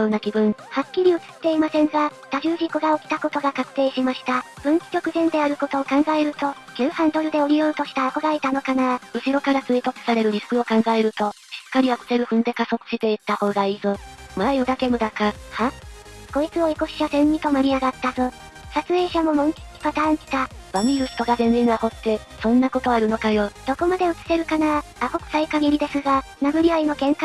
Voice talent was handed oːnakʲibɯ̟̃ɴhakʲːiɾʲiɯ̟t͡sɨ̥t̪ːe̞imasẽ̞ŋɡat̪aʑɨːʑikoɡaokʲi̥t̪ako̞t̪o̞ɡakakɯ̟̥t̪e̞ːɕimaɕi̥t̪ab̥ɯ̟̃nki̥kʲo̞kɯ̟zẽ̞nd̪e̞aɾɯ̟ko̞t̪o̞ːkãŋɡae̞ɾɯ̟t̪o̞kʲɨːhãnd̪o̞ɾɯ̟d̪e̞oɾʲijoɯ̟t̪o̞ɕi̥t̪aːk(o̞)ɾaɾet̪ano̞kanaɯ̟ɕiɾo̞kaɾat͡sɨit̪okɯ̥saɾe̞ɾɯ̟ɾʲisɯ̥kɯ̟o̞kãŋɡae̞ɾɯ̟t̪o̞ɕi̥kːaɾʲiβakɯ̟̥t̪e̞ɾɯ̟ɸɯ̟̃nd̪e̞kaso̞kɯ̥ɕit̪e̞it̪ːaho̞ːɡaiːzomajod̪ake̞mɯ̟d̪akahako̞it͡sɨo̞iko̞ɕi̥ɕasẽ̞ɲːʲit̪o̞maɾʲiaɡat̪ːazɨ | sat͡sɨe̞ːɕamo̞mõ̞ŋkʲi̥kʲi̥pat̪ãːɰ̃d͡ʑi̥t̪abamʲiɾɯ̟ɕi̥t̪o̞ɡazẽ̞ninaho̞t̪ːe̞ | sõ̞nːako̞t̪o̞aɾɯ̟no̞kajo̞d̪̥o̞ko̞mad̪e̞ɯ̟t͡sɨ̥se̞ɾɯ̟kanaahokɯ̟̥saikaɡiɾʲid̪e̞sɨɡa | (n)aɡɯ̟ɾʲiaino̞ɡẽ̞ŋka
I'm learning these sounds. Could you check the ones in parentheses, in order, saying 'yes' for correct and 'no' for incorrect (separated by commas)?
yes, yes